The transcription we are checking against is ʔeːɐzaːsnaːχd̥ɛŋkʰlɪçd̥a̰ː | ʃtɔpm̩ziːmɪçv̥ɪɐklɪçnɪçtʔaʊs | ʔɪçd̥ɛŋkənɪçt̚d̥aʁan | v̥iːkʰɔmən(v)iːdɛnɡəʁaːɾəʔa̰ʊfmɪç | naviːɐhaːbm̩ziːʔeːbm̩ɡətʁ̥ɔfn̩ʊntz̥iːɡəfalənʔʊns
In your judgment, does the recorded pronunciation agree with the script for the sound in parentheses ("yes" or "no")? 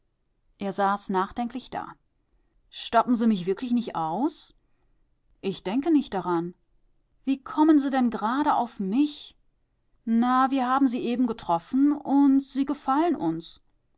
no